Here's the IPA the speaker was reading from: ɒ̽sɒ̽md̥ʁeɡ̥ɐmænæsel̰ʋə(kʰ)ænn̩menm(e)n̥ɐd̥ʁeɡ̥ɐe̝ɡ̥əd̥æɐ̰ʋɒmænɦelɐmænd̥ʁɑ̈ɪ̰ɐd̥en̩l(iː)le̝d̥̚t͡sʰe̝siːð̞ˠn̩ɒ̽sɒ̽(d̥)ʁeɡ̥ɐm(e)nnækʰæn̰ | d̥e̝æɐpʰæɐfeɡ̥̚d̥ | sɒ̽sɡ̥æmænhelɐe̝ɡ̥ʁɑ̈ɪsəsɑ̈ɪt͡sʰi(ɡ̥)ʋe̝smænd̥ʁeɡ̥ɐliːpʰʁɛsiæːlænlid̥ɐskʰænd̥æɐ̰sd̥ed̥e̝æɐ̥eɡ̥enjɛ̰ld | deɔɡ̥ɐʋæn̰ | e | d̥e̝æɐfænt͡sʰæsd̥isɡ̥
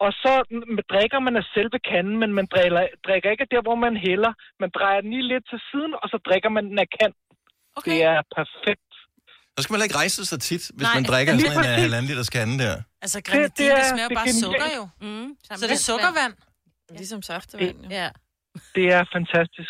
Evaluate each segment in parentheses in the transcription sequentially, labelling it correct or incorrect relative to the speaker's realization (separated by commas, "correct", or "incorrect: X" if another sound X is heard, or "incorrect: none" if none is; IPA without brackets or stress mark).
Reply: correct, incorrect: æ, correct, correct, incorrect: æ, incorrect: d̥